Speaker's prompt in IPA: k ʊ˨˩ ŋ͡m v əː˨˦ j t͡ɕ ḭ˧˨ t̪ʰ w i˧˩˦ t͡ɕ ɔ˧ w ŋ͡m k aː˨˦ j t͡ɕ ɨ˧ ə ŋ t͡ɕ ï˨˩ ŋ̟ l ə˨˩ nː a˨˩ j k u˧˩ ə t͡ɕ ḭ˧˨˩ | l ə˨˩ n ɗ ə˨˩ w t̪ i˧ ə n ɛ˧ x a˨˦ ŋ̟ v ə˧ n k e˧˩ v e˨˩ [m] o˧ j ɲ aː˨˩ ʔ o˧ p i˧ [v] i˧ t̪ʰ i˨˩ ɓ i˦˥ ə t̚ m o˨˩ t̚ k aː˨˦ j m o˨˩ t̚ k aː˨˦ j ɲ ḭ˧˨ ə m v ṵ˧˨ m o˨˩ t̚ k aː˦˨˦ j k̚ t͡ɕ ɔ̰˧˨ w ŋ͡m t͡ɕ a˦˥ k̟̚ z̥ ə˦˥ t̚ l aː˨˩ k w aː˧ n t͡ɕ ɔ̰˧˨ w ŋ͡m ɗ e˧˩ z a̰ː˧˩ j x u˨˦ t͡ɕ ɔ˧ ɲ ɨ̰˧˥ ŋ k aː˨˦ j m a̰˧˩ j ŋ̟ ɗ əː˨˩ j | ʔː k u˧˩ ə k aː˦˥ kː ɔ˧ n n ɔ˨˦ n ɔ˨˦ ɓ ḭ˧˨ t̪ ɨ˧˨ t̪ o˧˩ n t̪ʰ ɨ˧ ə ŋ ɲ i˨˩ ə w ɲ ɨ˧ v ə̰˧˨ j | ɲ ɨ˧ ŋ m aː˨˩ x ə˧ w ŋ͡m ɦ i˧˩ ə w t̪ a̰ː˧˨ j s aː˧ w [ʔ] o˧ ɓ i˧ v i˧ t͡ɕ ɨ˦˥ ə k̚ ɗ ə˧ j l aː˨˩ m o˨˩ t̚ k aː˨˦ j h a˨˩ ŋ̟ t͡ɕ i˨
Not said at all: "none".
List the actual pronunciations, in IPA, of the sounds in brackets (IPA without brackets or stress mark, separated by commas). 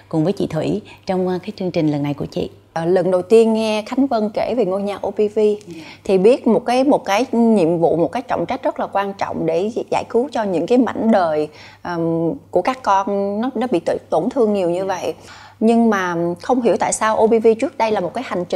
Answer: ŋ, v, ʔ